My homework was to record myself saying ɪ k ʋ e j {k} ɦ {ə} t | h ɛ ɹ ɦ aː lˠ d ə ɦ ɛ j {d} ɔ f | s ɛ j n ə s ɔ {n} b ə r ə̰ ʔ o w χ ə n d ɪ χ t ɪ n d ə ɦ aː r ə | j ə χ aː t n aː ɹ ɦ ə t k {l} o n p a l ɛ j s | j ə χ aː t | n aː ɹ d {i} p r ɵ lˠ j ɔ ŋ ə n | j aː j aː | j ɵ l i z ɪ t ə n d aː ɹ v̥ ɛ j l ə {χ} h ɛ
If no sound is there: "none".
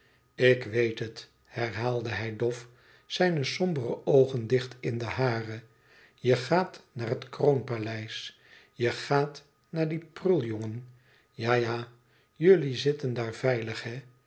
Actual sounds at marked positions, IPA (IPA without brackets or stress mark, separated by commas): t, ə, d, m, r, i, χ